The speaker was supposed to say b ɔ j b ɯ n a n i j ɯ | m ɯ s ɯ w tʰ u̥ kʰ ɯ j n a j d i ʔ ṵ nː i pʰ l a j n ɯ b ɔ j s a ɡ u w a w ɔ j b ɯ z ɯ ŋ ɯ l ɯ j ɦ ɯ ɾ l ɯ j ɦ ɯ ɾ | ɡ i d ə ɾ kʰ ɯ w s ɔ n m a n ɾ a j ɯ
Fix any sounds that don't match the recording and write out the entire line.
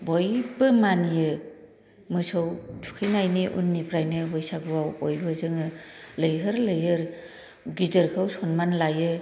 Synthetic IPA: b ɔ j b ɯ m a n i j ɯ | m ɯ s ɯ w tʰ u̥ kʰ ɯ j n a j n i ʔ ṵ nː i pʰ ɾ a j n ɯ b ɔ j s a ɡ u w a w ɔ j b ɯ z ɯ ŋ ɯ l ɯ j ɦ ɯ ɾ l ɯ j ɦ ɯ ɾ | ɡ i d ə ɾ kʰ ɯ w s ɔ n m a n l a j ɯ